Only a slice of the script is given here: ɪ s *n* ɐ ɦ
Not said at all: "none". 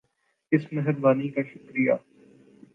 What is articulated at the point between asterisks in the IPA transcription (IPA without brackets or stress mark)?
m